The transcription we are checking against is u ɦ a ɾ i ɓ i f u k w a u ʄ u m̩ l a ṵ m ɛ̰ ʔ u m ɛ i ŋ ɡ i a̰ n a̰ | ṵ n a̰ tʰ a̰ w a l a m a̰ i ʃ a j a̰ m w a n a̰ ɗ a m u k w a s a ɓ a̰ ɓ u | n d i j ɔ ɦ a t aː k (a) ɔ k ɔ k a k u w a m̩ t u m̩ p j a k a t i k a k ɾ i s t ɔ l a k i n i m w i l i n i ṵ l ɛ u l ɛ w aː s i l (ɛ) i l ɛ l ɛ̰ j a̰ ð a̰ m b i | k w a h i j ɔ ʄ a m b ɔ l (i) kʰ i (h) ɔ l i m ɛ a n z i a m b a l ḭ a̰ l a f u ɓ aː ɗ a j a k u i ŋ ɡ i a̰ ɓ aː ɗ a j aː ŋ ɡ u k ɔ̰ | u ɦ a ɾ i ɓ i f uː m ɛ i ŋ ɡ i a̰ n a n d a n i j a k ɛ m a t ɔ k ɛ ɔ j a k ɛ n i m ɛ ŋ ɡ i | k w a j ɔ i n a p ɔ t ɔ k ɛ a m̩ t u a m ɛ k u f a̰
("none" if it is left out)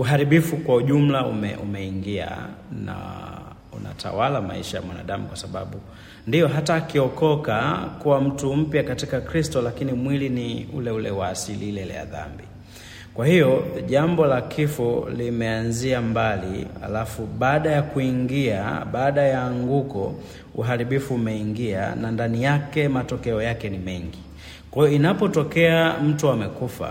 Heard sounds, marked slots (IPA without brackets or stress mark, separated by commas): i, i, a, f